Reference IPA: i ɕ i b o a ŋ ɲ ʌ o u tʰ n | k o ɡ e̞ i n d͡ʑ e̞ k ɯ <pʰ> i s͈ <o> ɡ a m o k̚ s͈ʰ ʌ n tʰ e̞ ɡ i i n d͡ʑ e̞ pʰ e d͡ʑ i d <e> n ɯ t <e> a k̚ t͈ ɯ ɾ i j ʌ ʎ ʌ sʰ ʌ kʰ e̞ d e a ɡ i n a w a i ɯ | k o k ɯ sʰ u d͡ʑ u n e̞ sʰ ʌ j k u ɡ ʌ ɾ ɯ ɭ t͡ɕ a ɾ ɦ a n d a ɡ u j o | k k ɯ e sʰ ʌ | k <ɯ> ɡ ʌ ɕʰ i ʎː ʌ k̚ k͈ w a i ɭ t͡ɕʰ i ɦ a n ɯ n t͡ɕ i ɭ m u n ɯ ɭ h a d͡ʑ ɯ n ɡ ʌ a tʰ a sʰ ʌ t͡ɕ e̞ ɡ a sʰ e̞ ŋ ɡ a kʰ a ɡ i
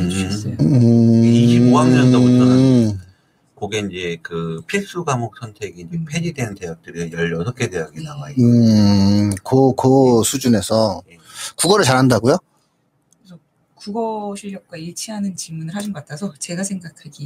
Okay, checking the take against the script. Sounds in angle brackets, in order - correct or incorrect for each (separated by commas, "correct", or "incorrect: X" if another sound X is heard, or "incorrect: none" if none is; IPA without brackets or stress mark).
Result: correct, incorrect: u, correct, correct, incorrect: u